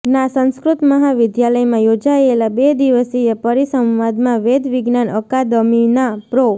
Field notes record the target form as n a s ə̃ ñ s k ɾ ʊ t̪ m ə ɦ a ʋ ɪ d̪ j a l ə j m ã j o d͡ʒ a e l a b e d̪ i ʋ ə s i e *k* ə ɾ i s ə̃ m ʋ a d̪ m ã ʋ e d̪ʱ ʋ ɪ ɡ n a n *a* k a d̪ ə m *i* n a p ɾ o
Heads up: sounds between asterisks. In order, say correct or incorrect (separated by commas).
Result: incorrect, incorrect, correct